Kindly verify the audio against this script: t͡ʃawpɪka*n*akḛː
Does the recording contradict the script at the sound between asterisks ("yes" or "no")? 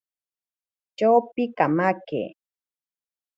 yes